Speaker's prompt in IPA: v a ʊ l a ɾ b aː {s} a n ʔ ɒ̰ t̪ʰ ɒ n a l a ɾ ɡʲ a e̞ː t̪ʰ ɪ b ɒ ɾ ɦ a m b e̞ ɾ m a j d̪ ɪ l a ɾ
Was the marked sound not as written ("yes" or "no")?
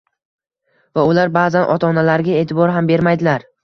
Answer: yes